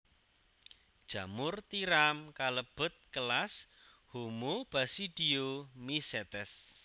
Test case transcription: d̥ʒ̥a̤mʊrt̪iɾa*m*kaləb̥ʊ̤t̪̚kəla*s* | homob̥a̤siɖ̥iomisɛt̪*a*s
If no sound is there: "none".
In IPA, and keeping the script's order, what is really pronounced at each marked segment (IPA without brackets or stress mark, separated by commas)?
m, s, ɛ